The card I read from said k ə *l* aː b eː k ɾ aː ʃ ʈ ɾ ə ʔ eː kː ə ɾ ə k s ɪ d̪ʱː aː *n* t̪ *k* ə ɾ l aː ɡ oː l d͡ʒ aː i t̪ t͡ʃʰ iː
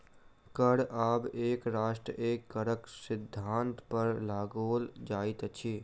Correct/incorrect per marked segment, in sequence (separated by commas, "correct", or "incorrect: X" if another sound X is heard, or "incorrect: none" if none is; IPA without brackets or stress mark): incorrect: ɽ, correct, incorrect: p